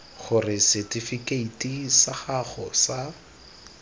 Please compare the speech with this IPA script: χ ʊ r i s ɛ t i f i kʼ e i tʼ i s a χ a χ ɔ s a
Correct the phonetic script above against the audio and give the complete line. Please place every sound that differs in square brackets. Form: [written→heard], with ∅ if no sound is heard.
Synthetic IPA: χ ʊ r [i→ɪ] s ɛ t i f i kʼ e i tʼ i s a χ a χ ɔ s a